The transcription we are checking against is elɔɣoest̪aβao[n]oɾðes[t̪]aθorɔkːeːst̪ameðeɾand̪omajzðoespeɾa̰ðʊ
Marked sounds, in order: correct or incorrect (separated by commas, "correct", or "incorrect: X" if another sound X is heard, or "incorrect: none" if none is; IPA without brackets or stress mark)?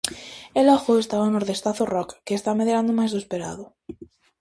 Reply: correct, correct